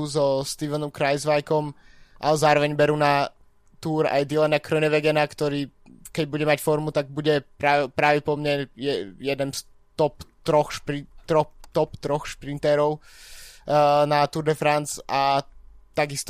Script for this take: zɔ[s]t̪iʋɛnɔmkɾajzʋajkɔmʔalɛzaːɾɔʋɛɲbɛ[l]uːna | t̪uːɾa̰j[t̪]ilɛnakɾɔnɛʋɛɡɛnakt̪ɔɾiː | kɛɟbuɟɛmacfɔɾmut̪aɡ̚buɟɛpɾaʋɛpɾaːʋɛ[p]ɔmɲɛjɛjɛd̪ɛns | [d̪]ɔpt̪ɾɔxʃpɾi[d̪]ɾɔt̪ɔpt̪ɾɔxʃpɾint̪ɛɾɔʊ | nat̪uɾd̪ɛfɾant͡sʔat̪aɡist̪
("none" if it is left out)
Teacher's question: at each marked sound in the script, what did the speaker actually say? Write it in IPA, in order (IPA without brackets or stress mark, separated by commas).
s, ɾ, d̪, p, t̪, t̪